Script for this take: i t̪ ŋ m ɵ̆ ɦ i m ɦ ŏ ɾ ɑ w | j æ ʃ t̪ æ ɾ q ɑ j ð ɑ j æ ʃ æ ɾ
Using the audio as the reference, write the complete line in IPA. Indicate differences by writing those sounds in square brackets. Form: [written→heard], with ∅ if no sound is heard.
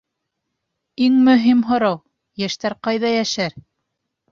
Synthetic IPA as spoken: i [t̪→∅] ŋ m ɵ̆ ɦ i m ɦ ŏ ɾ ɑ w | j æ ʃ t̪ æ ɾ q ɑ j ð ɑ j æ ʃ æ ɾ